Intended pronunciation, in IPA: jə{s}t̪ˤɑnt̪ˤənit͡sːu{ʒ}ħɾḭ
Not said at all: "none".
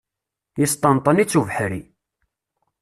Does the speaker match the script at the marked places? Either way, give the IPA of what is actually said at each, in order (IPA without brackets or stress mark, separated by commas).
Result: s, v